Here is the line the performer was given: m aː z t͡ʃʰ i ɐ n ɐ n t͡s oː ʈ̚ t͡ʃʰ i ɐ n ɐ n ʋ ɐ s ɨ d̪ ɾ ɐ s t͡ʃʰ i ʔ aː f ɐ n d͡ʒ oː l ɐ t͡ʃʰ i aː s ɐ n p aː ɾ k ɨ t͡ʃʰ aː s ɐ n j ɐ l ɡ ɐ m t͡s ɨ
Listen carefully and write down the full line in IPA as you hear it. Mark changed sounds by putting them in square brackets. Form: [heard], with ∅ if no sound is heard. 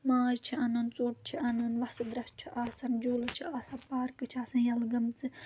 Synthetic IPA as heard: m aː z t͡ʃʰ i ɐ n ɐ n t͡s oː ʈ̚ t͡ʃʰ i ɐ n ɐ n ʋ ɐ s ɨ d̪ ɾ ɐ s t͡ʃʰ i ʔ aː [s] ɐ n d͡ʒ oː l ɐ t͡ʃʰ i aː s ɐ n p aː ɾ k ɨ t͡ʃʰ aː s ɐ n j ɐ l ɡ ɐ m t͡s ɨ